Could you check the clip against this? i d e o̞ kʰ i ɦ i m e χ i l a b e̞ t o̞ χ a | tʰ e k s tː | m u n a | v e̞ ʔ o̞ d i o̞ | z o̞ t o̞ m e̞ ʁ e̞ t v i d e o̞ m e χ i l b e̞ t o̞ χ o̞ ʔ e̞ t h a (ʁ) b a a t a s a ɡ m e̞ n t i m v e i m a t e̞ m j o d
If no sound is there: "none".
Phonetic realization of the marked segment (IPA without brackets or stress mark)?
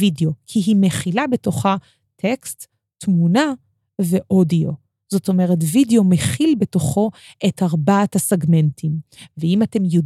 ʁ